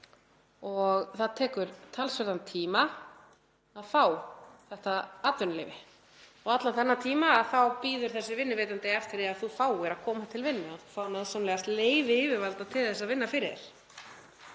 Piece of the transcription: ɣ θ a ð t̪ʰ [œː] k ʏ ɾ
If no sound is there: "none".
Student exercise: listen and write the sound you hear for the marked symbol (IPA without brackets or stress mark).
ɛː